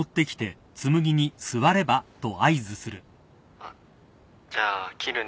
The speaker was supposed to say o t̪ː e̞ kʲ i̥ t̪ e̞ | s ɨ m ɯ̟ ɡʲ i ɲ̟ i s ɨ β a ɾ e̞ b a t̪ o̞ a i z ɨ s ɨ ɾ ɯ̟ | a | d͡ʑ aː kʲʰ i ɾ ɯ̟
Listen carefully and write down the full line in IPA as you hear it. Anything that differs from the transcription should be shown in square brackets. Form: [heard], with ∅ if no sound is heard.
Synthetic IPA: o t̪ː e̞ kʲ i̥ t̪ e̞ | [t͡s] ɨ m ɯ̟ ɡʲ i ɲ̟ i s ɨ β a ɾ e̞ b a t̪ o̞ a i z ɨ s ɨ ɾ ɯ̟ | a | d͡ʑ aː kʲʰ i ɾ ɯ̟